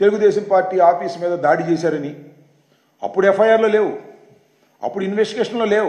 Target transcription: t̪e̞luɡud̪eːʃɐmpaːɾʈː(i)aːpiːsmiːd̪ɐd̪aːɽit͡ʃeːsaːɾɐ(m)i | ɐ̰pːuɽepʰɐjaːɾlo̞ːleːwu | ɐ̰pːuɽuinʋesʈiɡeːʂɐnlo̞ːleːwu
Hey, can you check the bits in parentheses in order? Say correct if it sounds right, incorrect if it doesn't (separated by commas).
incorrect, incorrect